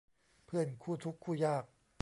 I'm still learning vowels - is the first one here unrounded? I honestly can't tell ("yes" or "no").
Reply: yes